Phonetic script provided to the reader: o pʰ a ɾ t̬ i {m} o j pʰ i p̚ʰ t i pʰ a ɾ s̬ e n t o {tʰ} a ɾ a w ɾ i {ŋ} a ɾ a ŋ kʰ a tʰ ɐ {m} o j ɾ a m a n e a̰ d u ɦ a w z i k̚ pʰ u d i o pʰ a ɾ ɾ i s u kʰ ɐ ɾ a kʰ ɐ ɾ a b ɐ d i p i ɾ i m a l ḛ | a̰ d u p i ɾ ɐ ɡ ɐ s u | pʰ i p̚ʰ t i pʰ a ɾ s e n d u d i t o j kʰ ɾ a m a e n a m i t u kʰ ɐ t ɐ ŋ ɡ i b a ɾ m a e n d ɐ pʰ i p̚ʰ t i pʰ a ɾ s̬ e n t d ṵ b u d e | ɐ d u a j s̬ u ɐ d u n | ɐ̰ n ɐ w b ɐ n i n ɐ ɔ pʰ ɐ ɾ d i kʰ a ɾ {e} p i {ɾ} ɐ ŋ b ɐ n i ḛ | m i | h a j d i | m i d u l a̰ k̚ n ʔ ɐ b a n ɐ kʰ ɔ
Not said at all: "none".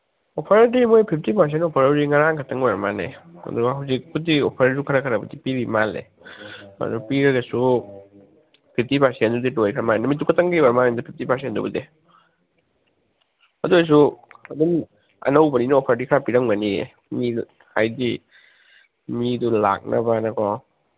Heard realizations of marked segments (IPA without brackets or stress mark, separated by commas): m, pʰ, ŋ, ŋ, a, ɾ